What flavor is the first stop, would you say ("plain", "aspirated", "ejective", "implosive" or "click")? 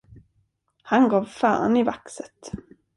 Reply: plain